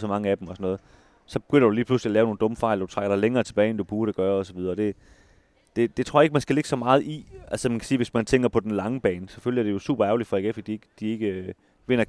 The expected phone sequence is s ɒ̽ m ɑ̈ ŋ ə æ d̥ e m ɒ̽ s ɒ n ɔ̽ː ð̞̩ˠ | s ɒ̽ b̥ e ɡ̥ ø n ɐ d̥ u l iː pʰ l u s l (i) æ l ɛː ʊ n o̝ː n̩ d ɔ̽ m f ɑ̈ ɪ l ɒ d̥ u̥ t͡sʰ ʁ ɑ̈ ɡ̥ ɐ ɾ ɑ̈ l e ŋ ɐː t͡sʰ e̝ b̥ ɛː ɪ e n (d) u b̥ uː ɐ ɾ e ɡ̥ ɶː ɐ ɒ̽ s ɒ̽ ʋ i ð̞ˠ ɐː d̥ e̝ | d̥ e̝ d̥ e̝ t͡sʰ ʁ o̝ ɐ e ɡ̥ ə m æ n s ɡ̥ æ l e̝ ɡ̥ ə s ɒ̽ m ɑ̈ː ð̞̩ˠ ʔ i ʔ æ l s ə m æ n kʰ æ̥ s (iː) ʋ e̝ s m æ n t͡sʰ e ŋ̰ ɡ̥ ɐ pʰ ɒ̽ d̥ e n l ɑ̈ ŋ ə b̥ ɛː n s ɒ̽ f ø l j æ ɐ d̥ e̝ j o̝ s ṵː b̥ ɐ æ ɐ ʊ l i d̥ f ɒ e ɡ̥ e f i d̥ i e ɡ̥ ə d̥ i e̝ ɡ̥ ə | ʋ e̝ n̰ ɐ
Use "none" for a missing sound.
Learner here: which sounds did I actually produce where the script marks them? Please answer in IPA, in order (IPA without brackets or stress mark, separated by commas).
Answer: i, d, iː